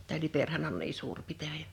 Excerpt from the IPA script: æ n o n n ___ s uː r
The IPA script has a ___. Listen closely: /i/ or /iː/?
iː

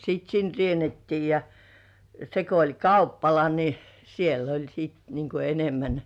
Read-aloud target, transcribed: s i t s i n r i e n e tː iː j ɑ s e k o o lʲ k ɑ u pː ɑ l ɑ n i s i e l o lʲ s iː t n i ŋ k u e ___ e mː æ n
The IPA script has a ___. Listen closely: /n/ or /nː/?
n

